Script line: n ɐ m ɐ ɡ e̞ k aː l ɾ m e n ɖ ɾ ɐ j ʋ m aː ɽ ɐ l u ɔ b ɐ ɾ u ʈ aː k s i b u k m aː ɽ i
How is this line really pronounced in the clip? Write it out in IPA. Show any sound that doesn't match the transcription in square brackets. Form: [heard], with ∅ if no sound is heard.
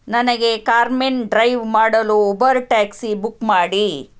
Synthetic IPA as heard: n ɐ [n] ɐ ɡ e̞ k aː [∅] ɾ m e n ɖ ɾ ɐ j ʋ m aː ɽ ɐ l u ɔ b ɐ ɾ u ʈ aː k s i b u k m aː ɽ i